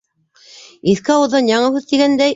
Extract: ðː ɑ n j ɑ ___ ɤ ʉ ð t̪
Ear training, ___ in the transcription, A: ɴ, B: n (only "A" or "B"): A